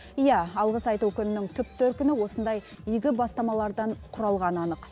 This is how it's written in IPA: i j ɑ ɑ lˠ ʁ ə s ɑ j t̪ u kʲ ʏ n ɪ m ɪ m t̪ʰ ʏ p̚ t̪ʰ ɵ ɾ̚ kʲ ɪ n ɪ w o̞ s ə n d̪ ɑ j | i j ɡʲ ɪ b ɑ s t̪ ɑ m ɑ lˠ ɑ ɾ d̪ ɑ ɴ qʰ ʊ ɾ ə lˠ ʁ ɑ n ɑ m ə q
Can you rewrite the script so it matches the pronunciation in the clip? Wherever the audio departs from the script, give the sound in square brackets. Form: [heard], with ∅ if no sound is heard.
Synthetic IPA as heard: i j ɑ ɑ lˠ ʁ ə s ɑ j t̪ u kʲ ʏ n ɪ [n] ɪ [ŋ] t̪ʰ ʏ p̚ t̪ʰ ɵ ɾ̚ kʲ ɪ n ɪ w o̞ s ə n d̪ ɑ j | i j ɡʲ ɪ b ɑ s t̪ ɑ m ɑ lˠ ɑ ɾ d̪ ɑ ɴ qʰ ʊ ɾ [ɑ] lˠ ʁ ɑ n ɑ [n] ə q